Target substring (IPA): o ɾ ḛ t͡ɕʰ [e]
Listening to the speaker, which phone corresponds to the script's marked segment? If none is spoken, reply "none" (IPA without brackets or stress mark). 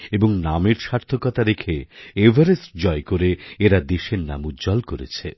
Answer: e